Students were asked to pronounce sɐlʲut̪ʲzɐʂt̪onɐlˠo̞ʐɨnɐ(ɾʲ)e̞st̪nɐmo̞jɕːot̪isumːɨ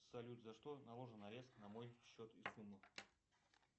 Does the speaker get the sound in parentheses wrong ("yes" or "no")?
no